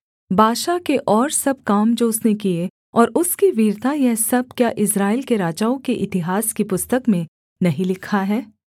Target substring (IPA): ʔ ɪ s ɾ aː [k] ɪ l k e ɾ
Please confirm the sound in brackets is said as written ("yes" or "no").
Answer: no